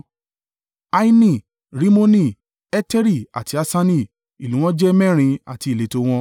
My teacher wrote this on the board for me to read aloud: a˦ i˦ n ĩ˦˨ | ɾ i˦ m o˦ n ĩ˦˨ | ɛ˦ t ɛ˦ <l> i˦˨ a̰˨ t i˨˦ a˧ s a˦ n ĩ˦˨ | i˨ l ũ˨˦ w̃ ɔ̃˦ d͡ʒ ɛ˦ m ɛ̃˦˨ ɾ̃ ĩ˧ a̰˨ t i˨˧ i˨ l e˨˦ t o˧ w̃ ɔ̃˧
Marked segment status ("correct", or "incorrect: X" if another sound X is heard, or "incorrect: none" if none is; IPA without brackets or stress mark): incorrect: ɾ